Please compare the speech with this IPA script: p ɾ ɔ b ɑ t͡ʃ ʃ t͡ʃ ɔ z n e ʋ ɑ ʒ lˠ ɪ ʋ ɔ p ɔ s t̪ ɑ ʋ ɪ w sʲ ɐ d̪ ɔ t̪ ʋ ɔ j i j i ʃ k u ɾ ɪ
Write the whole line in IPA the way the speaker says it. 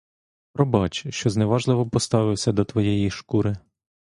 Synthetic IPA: p ɾ ɔ b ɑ t͡ʃ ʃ t͡ʃ ɔ z n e ʋ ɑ ʒ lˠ ɪ ʋ ɔ p ɔ s t̪ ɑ ʋ ɪ w sʲ ɐ d̪ ɔ t̪ ʋ ɔ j ɛ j i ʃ k u ɾ ɪ